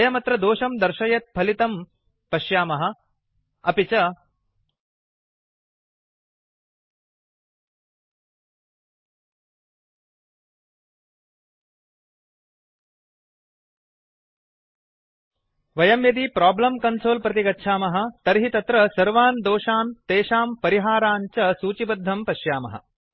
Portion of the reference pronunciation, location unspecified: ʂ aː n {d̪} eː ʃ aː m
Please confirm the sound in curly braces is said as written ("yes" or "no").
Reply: no